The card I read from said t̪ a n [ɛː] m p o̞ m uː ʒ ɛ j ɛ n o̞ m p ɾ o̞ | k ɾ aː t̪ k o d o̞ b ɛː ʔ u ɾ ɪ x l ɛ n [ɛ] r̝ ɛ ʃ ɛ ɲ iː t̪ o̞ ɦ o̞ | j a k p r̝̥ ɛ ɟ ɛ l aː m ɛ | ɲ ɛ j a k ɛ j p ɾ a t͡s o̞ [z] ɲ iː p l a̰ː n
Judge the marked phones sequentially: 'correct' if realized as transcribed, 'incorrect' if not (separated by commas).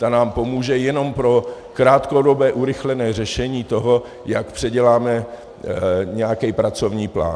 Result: incorrect, incorrect, incorrect